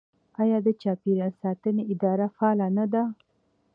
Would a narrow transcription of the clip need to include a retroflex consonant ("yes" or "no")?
no